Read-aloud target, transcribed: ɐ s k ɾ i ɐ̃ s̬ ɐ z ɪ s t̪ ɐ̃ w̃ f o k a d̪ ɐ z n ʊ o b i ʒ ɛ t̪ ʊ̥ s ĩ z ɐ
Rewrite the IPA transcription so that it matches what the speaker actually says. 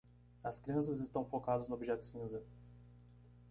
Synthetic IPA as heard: ɐ s k ɾ i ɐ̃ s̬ ɐ z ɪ s t̪ ɐ̃ w̃ f o k a d̪ ɐ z n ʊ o b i ʒ ɛ t̪ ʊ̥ s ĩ z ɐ